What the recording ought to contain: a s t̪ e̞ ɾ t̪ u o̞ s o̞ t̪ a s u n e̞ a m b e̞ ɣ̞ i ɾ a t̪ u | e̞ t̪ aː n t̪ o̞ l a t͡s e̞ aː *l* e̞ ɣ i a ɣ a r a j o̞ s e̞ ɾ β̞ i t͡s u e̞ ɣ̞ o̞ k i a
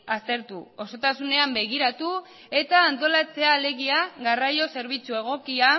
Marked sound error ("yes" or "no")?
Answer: no